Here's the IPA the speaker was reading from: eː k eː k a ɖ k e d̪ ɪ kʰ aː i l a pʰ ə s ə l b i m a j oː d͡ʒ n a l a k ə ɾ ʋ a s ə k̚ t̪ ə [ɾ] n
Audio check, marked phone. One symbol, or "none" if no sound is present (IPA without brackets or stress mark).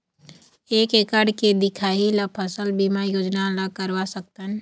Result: none